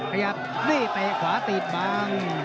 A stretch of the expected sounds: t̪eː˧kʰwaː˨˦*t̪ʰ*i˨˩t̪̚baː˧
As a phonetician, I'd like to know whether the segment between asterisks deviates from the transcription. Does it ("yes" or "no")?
yes